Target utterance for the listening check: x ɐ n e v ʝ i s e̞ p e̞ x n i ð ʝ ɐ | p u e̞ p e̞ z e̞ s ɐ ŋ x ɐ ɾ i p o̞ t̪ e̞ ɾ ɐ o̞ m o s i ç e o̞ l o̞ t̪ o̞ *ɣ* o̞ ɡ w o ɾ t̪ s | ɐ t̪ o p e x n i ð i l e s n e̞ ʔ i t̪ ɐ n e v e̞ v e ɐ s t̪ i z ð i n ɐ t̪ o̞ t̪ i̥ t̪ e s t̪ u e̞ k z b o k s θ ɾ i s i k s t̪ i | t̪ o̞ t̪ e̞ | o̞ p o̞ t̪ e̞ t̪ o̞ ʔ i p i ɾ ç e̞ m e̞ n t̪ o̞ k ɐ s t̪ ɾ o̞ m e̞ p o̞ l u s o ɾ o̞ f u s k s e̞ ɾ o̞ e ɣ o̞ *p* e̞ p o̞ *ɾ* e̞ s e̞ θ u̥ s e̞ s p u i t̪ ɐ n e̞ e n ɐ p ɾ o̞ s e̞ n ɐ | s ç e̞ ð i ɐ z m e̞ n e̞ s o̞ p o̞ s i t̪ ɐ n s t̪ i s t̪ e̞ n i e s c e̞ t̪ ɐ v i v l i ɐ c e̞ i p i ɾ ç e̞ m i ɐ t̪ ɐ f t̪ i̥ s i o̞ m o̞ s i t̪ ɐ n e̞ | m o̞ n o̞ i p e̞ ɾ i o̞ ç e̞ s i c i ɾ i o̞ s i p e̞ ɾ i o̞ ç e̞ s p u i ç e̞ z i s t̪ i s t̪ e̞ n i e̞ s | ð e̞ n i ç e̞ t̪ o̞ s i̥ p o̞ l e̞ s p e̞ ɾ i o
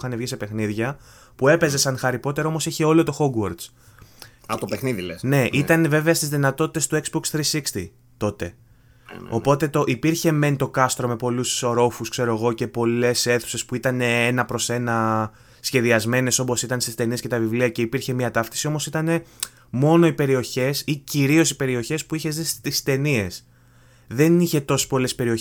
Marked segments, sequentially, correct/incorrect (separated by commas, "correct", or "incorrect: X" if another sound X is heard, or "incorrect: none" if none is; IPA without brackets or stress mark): incorrect: x, incorrect: c, incorrect: l